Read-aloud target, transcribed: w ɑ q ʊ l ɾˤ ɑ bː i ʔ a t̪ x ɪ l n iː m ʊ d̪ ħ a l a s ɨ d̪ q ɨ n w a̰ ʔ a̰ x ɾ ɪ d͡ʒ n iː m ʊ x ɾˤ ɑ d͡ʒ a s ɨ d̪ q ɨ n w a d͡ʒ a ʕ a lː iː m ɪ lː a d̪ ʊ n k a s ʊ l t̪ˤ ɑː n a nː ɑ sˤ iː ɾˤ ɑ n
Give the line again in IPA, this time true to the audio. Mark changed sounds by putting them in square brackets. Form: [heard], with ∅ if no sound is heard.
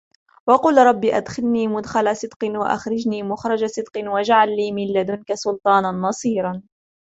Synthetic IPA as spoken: w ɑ q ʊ l ɾˤ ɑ bː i ʔ a [d̪] x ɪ l n iː m ʊ d̪ [x] a l a s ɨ d̪ q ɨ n w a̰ ʔ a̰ x ɾ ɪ d͡ʒ n iː m ʊ x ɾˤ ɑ d͡ʒ a s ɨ d̪ q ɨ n w a d͡ʒ a ʕ a lː iː m ɪ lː a d̪ ʊ n k a s ʊ l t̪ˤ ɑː n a nː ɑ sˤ iː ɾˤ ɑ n